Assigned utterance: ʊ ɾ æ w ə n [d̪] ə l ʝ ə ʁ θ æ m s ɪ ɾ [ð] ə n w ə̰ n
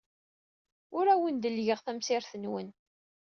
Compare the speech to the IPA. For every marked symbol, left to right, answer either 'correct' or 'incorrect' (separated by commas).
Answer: correct, incorrect